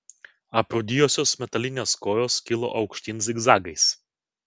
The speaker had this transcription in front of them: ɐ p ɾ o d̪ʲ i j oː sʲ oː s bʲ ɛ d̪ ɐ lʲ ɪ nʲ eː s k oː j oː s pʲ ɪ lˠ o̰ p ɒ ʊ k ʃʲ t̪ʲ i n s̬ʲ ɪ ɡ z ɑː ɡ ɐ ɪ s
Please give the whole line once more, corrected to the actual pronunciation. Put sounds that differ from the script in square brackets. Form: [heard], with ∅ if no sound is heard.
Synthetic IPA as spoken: ɐ p ɾ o d̪ʲ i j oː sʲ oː s [mʲ] ɛ [t̪] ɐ lʲ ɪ nʲ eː s k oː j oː s [kʲ] ɪ lˠ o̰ [ʔ] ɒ ʊ k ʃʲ t̪ʲ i n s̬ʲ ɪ ɡ z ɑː ɡ ɐ ɪ s